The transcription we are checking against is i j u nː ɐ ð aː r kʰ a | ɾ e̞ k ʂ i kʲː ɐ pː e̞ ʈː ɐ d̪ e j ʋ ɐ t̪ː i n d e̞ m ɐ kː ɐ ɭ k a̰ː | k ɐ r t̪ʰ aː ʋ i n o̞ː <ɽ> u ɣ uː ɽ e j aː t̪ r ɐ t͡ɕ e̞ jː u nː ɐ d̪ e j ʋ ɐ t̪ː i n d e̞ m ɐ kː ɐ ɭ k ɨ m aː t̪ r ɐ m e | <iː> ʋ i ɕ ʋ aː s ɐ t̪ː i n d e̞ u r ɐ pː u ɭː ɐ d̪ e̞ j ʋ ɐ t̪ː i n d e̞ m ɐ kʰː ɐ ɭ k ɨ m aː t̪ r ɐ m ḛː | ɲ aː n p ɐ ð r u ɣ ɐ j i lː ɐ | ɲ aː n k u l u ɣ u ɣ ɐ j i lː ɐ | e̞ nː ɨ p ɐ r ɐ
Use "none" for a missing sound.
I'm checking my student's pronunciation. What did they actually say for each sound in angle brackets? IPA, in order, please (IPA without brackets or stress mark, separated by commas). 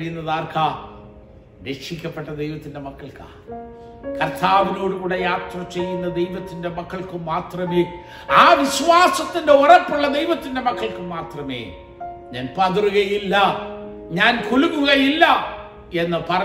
ɽ, aː